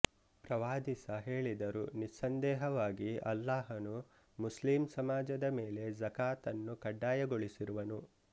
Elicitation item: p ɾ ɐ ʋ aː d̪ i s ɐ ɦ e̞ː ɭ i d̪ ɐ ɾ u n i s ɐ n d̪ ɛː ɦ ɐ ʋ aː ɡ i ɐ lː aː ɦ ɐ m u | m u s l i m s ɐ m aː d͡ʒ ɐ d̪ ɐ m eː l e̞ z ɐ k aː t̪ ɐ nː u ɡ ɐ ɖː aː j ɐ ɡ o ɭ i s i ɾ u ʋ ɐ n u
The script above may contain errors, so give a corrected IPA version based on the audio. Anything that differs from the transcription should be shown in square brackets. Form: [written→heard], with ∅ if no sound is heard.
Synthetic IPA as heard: p ɾ ɐ ʋ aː d̪ i s ɐ ɦ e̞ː ɭ i d̪ ɐ ɾ u n i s ɐ n d̪ ɛː ɦ ɐ ʋ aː ɡ i ɐ lː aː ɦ ɐ [m→n] u | m u s l i m s ɐ m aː d͡ʒ ɐ d̪ ɐ m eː l e̞ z ɐ k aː t̪ ɐ nː u [ɡ→k] ɐ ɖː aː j ɐ ɡ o ɭ i s i ɾ u ʋ ɐ n u